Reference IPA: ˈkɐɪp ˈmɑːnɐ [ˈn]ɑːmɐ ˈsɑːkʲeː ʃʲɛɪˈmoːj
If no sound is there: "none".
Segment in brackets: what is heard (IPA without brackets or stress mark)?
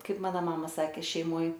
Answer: m